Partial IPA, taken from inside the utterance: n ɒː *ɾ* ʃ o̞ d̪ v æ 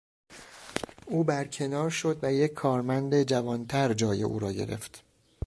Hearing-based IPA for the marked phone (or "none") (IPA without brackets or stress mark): ɾ